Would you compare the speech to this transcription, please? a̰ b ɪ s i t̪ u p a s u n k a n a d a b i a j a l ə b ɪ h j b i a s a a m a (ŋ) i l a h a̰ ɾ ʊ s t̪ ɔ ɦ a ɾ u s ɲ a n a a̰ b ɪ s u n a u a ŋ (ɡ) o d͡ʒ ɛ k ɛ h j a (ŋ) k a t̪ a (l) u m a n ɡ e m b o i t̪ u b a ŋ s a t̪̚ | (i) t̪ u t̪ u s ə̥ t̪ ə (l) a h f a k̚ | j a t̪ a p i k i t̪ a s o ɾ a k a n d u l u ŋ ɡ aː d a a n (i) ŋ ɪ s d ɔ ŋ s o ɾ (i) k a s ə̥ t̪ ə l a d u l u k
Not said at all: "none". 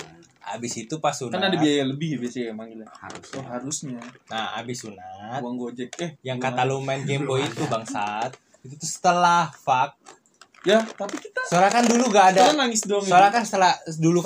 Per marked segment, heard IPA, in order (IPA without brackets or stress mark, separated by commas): ŋ, ɡ, ŋ, l, i, l, a, a